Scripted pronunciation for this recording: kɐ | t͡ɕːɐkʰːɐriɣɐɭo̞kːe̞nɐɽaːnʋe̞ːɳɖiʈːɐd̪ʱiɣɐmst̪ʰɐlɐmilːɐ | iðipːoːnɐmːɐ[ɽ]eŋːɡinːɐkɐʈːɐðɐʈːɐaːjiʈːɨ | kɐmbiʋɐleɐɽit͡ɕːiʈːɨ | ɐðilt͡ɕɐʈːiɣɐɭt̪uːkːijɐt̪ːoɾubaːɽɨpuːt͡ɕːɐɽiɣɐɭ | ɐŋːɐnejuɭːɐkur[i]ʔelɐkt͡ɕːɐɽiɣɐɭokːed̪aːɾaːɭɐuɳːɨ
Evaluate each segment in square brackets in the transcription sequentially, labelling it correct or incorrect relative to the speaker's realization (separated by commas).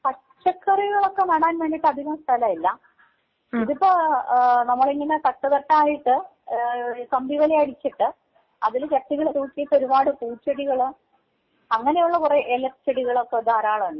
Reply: incorrect, incorrect